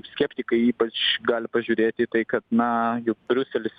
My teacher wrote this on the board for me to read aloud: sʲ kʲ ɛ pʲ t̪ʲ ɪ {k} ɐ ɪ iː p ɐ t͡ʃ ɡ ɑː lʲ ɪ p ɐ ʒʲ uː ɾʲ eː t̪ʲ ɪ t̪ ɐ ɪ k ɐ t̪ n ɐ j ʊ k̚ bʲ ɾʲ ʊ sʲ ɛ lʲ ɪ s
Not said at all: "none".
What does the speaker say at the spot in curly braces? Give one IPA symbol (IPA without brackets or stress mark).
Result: k